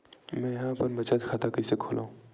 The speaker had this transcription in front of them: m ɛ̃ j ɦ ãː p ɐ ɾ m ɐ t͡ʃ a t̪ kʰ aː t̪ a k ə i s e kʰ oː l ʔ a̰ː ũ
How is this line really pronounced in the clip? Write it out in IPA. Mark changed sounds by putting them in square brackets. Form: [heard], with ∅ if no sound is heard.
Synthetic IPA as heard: m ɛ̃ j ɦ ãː p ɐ ɾ m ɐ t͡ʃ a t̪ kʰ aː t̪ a k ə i s e kʰ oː l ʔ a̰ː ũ